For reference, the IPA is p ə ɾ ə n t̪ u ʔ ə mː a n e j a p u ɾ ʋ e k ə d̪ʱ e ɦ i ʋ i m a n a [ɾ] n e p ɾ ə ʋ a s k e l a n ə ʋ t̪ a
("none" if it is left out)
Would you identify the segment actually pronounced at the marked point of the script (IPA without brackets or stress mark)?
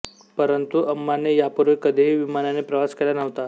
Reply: none